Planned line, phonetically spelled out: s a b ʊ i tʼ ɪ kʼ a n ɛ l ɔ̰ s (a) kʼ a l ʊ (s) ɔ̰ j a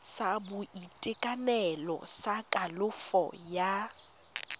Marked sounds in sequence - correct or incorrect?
correct, incorrect: f

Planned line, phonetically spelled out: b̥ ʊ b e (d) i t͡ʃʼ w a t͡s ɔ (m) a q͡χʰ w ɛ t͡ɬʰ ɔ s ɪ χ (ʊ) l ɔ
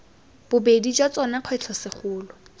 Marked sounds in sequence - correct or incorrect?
correct, incorrect: n, incorrect: ʊː

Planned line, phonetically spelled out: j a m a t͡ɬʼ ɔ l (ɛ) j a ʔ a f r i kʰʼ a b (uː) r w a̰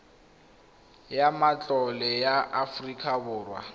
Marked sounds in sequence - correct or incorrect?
correct, incorrect: ʊː

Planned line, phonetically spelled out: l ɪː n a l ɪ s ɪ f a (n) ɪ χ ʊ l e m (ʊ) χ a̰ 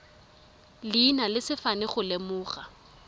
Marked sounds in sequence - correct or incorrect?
correct, incorrect: ʊː

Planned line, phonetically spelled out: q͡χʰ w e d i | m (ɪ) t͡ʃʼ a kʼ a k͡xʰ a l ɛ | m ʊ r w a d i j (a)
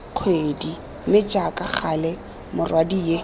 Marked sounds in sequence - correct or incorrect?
correct, incorrect: e

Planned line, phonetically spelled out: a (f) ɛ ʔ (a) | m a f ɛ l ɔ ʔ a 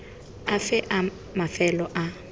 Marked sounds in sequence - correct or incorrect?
correct, correct

